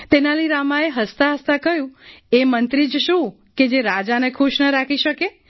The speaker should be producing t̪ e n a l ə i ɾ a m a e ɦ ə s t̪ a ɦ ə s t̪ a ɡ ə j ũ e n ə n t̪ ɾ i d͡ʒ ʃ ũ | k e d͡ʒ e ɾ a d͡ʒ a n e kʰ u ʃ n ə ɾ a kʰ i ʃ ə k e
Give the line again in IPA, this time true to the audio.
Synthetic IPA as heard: t̪ e n a l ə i ɾ a m a e ɦ ə s t̪ a ɦ ə s t̪ a k ə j ũ e m ə n t̪ ɾ i d͡ʒ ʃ ũ | k e d͡ʒ e ɾ a d͡ʒ a n e kʰ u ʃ n ə ɾ a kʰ i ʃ ə k e